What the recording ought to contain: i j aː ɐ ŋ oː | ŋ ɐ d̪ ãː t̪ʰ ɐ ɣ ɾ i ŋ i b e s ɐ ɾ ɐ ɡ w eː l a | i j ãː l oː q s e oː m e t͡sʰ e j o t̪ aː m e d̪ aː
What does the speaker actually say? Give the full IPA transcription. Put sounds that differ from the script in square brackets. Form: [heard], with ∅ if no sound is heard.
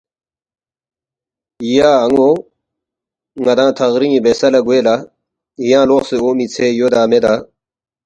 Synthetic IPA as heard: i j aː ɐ ŋ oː | ŋ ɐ d̪ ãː t̪ʰ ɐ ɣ ɾ i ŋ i b e s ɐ [l] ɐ ɡ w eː l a | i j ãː l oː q s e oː m [i] t͡sʰ e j o [d̪] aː m e d̪ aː

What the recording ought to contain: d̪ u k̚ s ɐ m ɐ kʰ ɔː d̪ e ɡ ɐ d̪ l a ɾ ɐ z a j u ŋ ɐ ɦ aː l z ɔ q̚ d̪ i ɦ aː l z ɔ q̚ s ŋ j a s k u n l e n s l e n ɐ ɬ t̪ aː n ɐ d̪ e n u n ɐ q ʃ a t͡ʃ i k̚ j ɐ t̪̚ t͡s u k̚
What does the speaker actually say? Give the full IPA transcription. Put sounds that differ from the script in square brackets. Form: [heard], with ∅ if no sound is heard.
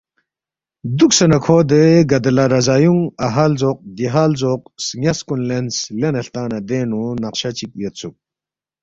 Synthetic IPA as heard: d̪ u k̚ s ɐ [n] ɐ kʰ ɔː d̪ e ɡ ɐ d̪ l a ɾ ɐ z a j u ŋ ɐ ɦ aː l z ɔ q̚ d̪ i ɦ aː l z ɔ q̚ s ŋ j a s k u n l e n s l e n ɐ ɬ t̪ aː n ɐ d̪ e n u n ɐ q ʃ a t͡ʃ i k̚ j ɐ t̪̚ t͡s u k̚

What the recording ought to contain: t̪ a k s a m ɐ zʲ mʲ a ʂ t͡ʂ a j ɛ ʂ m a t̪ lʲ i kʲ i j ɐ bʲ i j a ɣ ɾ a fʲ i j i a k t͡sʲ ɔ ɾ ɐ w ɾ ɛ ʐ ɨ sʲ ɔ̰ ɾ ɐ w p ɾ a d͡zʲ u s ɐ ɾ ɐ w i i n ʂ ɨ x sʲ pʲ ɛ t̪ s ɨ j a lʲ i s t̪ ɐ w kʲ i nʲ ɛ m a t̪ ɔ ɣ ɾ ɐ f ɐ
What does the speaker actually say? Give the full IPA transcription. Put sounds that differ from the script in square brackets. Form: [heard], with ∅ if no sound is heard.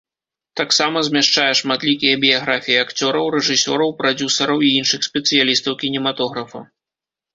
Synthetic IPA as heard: t̪ a k s a m ɐ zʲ mʲ a ʂ t͡ʂ a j ɛ ʂ m a t̪ lʲ i kʲ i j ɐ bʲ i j a ɣ ɾ a fʲ i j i a k t͡sʲ ɔ ɾ ɐ w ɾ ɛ ʐ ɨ sʲ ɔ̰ ɾ ɐ w p ɾ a d͡zʲ u s ɐ ɾ ɐ w i i n ʂ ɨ x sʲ pʲ ɛ t̪ s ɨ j a lʲ i s t̪ ɐ w kʲ i nʲ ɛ m a t̪ ɔ ɣ ɾ ɐ f ɐ

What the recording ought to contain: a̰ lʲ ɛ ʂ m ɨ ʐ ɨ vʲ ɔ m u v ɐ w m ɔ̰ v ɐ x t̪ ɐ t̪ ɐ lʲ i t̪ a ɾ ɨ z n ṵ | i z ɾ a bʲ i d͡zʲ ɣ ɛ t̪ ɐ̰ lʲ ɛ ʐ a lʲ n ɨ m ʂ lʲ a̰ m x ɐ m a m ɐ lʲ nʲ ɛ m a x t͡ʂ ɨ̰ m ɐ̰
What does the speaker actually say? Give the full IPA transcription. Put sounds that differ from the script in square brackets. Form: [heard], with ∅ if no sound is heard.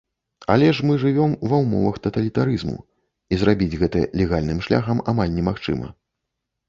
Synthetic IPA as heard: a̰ lʲ ɛ ʂ m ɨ ʐ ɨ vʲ ɔ m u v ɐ w m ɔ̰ v ɐ x t̪ ɐ t̪ ɐ lʲ i t̪ a ɾ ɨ z [m] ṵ | i z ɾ a bʲ i d͡zʲ ɣ ɛ t̪ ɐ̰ lʲ ɛ [ɣ] a lʲ n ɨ m ʂ lʲ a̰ [∅] x ɐ m a m [a] lʲ nʲ ɛ m a x t͡ʂ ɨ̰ m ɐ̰

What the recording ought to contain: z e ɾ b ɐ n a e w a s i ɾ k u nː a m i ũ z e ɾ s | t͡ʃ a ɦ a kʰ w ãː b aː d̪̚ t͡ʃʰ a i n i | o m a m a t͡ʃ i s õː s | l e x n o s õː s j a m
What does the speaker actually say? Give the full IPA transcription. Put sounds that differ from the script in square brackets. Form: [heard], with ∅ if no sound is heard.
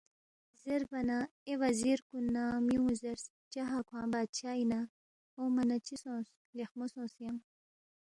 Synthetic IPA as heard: z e ɾ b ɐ n a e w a [z] i ɾ k u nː a m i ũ z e ɾ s | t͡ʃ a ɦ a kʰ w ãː b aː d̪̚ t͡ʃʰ a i n [a] | o m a [n] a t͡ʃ i s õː s | l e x [m] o s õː s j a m

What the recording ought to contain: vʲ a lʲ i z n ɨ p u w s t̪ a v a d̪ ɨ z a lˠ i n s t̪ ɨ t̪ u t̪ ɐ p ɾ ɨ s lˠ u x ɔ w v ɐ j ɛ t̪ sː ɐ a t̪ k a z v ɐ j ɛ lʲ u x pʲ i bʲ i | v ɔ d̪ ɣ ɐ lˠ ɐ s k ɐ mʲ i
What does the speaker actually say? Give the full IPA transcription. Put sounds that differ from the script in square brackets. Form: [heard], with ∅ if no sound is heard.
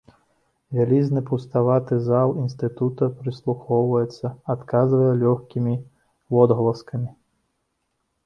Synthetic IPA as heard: vʲ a lʲ i z n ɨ p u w s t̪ a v a [t̪] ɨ z a lˠ i n s t̪ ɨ t̪ u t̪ ɐ p ɾ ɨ s lˠ u x ɔ w v ɐ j ɛ t̪ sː ɐ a t̪ k a z v ɐ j ɛ lʲ [ɔ] x [kʲ] i [mʲ] i | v ɔ d̪ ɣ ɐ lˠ ɐ s k ɐ mʲ i

